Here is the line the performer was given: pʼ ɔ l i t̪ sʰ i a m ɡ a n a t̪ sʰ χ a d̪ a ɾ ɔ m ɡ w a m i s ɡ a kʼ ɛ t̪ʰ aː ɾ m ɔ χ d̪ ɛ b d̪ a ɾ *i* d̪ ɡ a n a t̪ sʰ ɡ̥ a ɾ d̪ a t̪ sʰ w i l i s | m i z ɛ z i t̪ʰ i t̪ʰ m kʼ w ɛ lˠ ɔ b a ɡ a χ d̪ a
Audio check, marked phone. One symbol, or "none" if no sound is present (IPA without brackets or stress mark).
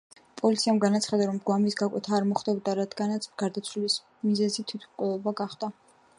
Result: a